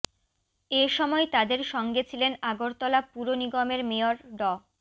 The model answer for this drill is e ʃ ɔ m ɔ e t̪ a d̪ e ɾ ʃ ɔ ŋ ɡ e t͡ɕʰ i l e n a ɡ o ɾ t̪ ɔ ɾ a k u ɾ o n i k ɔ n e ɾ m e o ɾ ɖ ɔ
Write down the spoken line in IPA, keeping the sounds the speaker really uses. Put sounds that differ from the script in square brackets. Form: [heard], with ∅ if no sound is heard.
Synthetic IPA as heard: e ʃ ɔ m ɔ e t̪ a d̪ e ɾ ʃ ɔ ŋ ɡ e t͡ɕʰ i l e n a ɡ o ɾ t̪ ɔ [l] a [p] u ɾ o n i [ɡ] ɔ [m] e ɾ m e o ɾ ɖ ɔ